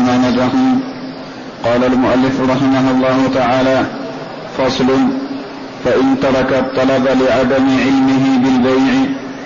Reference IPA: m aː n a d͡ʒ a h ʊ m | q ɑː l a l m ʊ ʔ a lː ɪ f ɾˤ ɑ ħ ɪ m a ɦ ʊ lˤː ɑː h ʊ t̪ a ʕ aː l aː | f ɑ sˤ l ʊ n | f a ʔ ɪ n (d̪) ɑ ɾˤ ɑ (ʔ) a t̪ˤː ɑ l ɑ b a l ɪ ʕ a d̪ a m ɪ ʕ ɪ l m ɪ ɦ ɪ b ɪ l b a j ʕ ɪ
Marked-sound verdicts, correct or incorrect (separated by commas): incorrect, incorrect